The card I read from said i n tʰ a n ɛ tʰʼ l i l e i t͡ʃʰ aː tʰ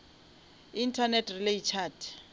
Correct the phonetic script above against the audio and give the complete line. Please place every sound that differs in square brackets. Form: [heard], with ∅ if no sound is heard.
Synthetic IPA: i n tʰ a n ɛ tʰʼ [r] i l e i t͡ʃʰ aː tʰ